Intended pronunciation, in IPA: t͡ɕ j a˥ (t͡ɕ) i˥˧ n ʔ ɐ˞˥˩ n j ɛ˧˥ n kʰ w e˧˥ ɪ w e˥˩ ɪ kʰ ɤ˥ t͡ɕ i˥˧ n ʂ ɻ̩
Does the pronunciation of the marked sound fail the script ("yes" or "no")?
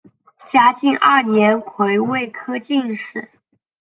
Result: no